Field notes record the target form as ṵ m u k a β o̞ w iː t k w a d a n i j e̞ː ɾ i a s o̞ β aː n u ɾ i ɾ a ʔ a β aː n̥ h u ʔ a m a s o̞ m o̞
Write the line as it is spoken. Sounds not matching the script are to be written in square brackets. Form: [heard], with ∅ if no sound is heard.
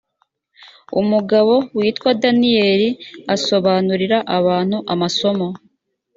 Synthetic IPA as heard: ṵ m u [ɡ] a β o̞ w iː t k w a d a n i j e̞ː ɾ i a s o̞ β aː n u ɾ i ɾ a ʔ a β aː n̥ h u ʔ a m a s o̞ m o̞